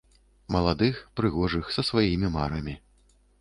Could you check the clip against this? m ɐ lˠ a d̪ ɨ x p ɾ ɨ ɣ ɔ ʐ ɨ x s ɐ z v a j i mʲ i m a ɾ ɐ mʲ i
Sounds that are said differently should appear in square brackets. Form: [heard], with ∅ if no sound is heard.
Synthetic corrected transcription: m ɐ lˠ a d̪ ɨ x p ɾ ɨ ɣ ɔ ʐ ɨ x s ɐ [s] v a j i mʲ i m a ɾ ɐ mʲ i